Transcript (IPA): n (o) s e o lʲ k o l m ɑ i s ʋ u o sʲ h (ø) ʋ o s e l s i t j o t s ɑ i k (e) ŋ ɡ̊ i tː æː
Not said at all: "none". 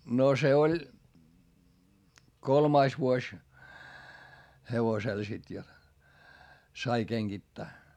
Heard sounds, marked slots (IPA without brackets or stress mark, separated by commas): o, e, e